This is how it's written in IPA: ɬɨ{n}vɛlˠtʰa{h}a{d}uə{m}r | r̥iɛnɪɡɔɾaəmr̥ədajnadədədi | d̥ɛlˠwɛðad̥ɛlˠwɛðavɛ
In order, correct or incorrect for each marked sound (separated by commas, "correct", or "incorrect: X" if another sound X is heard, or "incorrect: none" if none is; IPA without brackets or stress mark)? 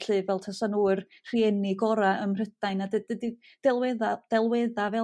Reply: incorrect: none, incorrect: s, incorrect: n, incorrect: none